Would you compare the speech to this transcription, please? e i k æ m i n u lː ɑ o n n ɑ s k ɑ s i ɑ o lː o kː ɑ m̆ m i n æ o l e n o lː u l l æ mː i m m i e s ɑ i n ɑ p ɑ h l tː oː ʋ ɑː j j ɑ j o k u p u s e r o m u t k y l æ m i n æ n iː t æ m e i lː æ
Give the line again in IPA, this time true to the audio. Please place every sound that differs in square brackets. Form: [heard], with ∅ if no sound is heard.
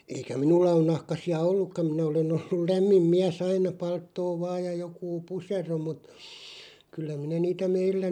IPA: e i k æ m i n u lː ɑ o n n ɑ [h] k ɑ s i ɑ o lː [u] kː ɑ m̆ m i n æ o l e n o lː u l l æ mː i m m i [æ] s ɑ i n ɑ p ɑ [∅] l tː oː ʋ ɑː j j ɑ j o k [uː] p u s e r o m u t k y [lː] æ m i n æ n iː t æ m e i lː æ